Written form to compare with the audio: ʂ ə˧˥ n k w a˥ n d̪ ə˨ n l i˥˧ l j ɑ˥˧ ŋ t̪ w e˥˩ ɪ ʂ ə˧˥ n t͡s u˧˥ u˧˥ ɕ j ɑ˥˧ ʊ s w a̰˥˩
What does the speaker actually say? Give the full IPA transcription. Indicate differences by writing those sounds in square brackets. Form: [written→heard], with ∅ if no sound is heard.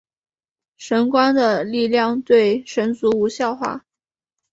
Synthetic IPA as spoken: ʂ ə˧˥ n k w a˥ n d̪ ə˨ [n→∅] l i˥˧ l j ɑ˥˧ ŋ t̪ w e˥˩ ɪ ʂ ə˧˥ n t͡s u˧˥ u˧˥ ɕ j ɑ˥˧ ʊ [s→x] w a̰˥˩